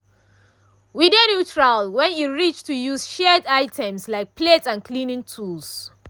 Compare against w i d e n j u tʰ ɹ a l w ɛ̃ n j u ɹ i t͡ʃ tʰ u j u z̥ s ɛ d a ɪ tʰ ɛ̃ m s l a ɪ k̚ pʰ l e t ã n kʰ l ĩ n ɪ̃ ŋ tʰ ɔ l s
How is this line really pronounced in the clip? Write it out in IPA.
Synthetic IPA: w i d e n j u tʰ ɹ a l w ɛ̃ n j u ɹ i t͡ʃ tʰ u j u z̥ ʃ ɛ d a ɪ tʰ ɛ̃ m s l a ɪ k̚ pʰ l e t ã n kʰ l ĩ n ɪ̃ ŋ tʰ u l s